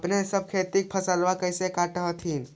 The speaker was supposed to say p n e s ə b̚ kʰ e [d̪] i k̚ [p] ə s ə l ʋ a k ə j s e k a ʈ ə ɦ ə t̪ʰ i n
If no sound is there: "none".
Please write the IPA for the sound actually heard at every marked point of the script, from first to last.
t̪, pʰ

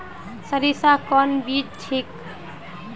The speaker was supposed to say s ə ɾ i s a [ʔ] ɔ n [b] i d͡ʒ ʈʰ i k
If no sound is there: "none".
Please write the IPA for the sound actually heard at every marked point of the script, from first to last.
k, b

